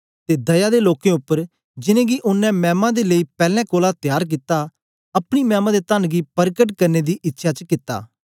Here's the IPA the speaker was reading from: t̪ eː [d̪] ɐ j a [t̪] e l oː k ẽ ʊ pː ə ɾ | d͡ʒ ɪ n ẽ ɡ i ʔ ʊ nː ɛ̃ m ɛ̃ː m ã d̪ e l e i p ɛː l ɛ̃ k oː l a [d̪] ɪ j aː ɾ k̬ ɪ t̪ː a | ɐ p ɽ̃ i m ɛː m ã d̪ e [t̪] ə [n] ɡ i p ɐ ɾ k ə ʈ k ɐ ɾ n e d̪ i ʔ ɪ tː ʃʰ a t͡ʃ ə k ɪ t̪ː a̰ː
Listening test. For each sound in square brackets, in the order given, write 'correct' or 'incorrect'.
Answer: correct, incorrect: d̪, incorrect: t̪, correct, correct

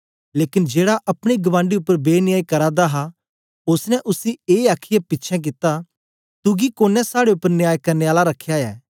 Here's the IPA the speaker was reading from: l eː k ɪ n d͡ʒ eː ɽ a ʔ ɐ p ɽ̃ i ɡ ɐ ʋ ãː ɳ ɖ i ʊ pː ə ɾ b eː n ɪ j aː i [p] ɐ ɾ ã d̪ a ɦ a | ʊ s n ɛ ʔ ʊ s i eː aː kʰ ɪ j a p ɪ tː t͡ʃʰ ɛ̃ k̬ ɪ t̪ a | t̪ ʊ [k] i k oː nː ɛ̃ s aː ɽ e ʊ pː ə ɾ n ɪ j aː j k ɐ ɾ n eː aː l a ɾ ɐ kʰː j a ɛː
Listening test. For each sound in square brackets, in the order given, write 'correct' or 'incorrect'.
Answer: incorrect: k, incorrect: ɡ

